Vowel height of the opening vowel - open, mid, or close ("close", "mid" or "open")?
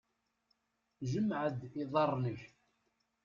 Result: mid